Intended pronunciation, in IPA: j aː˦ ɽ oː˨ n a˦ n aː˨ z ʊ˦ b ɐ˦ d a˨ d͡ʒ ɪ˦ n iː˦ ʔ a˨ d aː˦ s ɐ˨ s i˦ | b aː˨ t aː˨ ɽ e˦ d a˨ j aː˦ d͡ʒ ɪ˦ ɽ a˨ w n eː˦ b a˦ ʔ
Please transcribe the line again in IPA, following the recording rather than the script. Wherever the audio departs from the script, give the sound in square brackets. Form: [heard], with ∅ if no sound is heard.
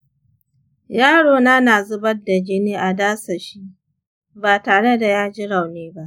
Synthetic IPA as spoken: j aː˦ ɽ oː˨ n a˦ n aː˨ z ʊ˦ b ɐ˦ d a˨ d͡ʒ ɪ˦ n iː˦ ʔ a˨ d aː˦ s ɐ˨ [ʃ] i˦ | b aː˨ t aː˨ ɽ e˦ d a˨ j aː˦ d͡ʒ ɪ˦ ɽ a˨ w n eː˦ b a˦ ʔ

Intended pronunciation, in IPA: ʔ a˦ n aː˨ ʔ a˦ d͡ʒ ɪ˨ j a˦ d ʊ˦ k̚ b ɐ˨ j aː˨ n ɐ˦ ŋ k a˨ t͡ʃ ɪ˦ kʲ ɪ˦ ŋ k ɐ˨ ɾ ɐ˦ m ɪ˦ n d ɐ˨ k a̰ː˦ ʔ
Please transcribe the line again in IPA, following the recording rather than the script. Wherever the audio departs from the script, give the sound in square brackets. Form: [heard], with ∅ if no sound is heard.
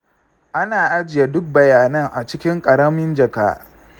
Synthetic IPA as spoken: ʔ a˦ n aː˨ ʔ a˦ d͡ʒ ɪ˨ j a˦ d ʊ˦ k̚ b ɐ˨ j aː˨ n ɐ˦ ŋ [ʔ] a˨ t͡ʃ ɪ˦ kʲ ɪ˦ ŋ [kʼ] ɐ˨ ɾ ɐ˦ m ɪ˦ n [d͡ʒ] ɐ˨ k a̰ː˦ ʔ

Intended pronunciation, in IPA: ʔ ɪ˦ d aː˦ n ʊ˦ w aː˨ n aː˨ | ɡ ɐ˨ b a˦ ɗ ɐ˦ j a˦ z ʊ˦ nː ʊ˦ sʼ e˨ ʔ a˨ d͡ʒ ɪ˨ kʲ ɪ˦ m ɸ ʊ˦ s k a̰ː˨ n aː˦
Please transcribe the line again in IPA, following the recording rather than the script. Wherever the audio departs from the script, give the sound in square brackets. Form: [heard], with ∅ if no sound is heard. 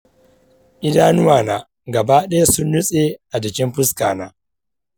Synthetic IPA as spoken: ʔ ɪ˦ d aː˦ n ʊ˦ w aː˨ n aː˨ | ɡ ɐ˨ b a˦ ɗ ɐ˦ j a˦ [s] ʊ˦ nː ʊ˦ sʼ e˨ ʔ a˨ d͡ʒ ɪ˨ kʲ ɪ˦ m ɸ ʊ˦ s k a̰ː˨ n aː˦

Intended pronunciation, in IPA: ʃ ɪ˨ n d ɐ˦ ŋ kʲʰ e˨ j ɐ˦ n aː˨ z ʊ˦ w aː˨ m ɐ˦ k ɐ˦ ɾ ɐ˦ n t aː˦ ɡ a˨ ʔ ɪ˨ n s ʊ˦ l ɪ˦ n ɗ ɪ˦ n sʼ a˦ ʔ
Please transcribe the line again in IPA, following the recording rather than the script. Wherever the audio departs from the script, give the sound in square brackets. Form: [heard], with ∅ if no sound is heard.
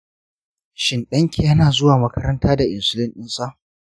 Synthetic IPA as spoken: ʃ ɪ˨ n [ɗ] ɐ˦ ŋ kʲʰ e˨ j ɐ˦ n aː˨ z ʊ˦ w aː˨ m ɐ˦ k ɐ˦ ɾ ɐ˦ n t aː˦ [d] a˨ ʔ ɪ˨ n s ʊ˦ l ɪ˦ n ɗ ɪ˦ n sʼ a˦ ʔ

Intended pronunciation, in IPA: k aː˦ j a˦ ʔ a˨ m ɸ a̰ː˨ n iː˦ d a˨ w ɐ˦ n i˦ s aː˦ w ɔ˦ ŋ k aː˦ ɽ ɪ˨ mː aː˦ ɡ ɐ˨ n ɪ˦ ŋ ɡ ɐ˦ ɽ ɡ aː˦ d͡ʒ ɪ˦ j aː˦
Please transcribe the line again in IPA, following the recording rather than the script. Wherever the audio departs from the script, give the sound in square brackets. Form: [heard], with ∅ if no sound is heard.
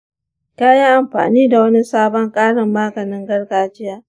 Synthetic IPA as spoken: k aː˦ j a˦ ʔ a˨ m ɸ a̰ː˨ n iː˦ d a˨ w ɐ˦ n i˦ s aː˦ [b] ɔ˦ ŋ [kʼ] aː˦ ɽ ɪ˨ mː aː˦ ɡ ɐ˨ n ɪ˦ ŋ ɡ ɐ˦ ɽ ɡ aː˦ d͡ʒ ɪ˦ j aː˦

